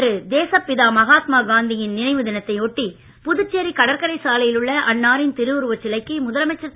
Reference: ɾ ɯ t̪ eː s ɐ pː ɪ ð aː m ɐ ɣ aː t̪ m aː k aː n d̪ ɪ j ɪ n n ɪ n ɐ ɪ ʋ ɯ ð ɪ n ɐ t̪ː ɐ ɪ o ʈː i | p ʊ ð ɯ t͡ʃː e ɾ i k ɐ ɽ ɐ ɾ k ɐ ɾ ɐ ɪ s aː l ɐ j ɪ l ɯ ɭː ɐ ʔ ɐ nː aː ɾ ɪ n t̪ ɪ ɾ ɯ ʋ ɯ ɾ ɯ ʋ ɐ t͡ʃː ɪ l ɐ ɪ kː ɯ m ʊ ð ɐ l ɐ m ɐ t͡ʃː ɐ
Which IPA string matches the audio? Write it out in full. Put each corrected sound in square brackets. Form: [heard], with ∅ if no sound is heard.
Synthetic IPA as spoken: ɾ ɯ [d̪] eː s ɐ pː ɪ ð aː m ɐ ɣ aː t̪ m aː [ɡ] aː n d̪ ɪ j ɪ n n ɪ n ɐ ɪ ʋ ɯ ð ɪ n ɐ t̪ː ɐ ɪ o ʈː i | p ʊ ð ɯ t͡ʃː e ɾ i k ɐ ɽ ɐ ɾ k ɐ ɾ ɐ ɪ s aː l ɐ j ɪ l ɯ ɭː ɐ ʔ ɐ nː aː ɾ ɪ n t̪ ɪ ɾ ɯ ʋ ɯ ɾ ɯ ʋ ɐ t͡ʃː ɪ l ɐ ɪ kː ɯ m ʊ ð ɐ l ɐ m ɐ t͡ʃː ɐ